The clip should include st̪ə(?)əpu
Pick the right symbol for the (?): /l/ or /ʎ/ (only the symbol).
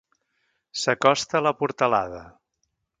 l